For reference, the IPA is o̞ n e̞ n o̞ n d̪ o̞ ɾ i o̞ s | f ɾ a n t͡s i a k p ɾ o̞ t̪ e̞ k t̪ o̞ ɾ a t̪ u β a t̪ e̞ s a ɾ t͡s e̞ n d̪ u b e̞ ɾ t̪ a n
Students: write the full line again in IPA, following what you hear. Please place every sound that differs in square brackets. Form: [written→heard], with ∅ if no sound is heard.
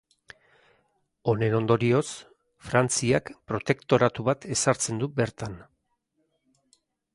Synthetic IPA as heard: o̞ n e̞ n o̞ n d̪ o̞ ɾ i o̞ s | f ɾ a n t͡s i a k p ɾ o̞ t̪ e̞ k t̪ o̞ ɾ a t̪ u β a t̪ e̞ s a ɾ t͡s e̞ n d̪ u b e̞ ɾ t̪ a n